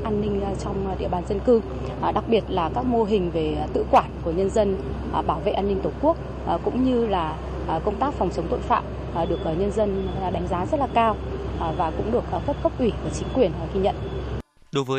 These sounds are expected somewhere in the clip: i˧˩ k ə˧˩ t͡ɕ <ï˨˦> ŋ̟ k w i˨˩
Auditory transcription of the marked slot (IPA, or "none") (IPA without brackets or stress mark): ï˨˦